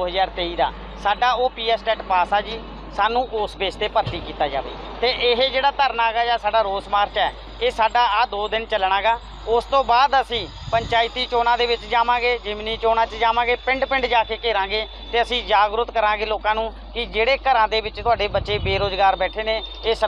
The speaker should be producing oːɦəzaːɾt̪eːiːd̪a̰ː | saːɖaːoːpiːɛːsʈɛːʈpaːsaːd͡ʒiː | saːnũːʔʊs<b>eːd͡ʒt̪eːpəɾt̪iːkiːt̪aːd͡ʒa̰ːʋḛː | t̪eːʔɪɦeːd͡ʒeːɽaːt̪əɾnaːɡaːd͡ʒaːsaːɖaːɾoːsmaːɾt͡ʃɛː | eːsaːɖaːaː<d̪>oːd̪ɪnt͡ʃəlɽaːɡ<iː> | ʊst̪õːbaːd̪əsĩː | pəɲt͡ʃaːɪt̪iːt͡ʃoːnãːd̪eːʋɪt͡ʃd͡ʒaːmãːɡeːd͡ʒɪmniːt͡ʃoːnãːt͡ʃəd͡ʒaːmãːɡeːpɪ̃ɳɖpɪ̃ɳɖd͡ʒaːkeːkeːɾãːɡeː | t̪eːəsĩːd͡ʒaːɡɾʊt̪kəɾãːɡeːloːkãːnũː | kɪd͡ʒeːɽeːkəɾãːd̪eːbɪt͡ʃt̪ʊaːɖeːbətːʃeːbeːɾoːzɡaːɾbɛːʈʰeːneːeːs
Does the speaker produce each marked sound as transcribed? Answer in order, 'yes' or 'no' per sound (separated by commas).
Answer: yes, yes, no